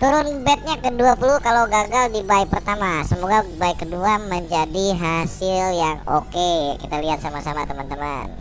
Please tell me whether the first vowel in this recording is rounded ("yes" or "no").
yes